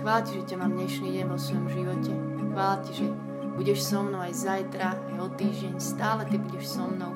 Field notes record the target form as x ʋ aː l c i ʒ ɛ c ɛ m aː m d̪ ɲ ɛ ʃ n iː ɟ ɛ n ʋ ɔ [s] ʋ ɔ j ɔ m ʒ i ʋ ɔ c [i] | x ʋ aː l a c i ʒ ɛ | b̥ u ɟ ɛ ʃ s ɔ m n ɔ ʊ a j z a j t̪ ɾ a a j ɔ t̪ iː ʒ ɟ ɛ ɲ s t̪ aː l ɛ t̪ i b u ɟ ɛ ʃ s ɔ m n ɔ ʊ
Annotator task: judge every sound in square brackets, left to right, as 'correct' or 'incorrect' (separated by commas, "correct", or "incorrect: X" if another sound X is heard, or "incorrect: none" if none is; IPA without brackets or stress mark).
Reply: correct, incorrect: ɛ